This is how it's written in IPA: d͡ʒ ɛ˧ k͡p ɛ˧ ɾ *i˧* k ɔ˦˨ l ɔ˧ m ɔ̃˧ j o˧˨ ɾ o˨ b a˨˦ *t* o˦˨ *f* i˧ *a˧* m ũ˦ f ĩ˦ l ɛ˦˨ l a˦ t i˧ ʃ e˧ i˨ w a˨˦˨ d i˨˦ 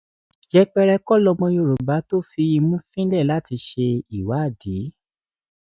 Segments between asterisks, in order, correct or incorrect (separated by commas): incorrect, correct, correct, incorrect